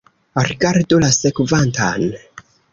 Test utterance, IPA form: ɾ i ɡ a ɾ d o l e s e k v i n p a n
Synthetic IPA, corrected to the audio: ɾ i ɡ a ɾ d o l a s e k v a n t a n